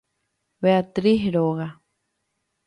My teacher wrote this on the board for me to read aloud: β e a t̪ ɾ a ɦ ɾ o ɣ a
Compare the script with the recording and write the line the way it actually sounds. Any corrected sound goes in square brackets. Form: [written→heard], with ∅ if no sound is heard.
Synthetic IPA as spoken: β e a t̪ ɾ [a→i] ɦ ɾ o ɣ a